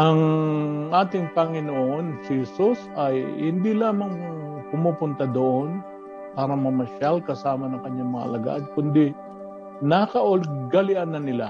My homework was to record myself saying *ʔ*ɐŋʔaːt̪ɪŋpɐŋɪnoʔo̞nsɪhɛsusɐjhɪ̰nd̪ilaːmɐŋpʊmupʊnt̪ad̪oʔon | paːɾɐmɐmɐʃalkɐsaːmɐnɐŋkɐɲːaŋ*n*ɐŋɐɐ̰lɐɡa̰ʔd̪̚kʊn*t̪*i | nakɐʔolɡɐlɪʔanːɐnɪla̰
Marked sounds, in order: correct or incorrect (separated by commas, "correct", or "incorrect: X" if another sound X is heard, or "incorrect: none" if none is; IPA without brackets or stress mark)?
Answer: correct, incorrect: m, incorrect: d̪